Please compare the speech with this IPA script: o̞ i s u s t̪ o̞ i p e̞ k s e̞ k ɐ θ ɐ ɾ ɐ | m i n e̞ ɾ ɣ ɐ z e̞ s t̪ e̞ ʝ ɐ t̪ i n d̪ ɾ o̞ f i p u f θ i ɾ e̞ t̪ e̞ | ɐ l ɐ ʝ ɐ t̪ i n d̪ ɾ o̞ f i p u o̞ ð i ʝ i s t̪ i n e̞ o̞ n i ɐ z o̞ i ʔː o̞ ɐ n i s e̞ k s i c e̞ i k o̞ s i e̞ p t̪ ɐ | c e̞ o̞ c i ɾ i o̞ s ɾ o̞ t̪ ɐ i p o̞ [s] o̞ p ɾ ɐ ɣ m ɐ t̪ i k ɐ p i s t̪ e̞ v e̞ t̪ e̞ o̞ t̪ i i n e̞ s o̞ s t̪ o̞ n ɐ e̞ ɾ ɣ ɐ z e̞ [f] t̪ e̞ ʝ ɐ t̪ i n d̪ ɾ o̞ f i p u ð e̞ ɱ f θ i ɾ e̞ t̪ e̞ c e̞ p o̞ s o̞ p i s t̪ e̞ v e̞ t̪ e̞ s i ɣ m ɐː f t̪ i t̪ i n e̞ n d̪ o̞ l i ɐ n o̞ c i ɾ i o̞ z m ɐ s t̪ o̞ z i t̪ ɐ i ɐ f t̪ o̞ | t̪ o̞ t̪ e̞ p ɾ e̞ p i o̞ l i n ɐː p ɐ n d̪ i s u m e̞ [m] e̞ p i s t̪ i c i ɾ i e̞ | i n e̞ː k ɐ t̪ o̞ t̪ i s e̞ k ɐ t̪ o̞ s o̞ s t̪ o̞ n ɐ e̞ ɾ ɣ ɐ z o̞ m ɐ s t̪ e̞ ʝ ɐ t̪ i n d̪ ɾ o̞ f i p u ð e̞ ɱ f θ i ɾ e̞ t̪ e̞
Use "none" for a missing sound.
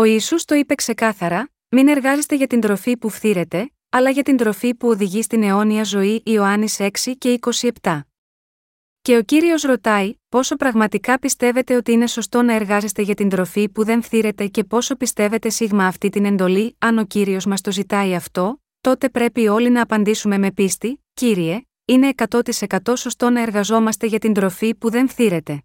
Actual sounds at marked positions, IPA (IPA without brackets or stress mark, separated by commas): s, s, m